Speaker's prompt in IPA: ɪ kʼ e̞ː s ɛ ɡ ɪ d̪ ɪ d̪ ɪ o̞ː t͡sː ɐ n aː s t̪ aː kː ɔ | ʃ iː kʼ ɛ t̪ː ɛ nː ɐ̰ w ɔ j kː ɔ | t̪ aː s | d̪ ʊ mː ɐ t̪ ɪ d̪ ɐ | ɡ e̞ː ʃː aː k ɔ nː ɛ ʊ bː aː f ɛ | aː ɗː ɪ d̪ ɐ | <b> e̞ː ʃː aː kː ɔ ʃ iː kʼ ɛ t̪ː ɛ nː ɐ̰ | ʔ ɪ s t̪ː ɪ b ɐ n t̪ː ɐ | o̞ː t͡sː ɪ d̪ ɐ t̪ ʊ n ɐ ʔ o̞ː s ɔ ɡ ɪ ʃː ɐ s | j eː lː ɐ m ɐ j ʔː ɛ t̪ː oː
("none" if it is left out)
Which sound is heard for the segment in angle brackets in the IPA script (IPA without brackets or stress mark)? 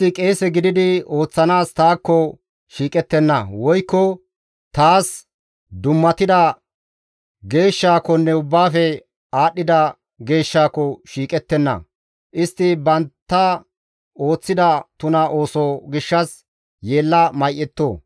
ɡ